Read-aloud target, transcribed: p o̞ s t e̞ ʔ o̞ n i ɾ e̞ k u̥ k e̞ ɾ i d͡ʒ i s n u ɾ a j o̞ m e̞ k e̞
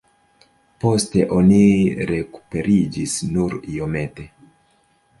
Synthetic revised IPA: p o̞ s t e̞ ʔ o̞ n i ɾ e̞ k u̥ p e̞ ɾ i d͡ʒ i s n u ɾ i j o̞ m e̞ t e̞